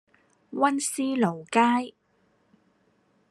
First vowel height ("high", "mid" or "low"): low